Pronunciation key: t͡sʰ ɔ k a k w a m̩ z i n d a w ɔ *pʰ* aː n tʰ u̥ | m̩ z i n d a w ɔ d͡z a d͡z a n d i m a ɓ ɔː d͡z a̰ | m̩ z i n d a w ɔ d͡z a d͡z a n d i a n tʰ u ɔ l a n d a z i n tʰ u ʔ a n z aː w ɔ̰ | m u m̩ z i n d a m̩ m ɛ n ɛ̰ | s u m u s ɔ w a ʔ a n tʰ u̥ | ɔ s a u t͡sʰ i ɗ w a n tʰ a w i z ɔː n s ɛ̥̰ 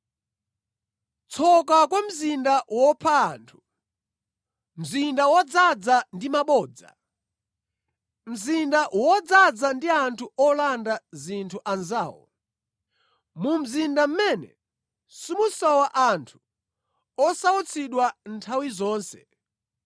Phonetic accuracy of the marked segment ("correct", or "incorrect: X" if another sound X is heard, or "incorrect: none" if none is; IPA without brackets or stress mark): correct